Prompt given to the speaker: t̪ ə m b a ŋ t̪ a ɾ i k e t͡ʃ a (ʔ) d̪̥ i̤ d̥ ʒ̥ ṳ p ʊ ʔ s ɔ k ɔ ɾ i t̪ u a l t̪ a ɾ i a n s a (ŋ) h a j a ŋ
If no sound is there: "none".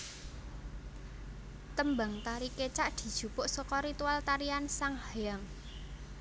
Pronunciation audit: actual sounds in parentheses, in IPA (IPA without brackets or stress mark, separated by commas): ʔ, ŋ